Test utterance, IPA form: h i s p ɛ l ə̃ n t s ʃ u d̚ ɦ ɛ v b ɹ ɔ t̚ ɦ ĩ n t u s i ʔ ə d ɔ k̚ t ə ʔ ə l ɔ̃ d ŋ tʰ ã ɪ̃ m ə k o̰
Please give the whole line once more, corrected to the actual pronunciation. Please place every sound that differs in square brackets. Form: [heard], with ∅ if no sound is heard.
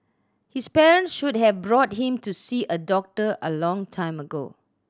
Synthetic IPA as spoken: h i s p ɛ [ɹ] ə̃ n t s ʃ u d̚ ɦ ɛ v b ɹ ɔ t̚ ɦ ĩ [m] t u s i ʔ ə d ɔ k̚ t ə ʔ ə l ɔ̃ [∅] ŋ tʰ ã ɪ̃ m ə [ɡ] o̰